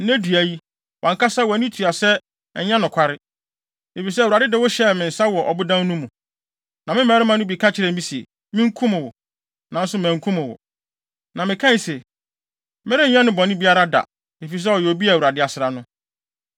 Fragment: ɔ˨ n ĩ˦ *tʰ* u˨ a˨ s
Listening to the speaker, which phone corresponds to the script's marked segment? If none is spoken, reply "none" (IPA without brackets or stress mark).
tʰ